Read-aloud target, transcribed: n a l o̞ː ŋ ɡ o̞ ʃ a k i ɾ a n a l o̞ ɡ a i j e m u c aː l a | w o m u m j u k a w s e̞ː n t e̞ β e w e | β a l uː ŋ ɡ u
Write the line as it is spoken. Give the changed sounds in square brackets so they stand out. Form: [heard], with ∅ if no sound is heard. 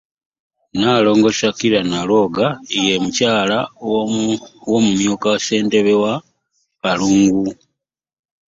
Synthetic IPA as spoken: n a l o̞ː ŋ ɡ o̞ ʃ a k i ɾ a n a l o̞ ɡ a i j e m u c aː l a | w o m u m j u k a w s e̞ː n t e̞ β e w [a] | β a l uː ŋ ɡ u